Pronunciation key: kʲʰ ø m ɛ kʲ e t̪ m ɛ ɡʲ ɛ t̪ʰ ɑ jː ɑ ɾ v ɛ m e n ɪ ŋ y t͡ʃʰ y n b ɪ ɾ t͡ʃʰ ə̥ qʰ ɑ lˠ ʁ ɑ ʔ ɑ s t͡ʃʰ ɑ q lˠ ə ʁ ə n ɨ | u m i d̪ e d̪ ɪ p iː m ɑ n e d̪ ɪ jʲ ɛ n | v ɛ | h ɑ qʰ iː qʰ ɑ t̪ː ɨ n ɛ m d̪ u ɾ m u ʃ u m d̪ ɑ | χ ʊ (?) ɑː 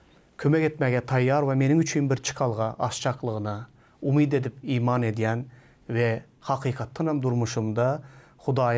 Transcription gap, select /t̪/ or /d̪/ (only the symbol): d̪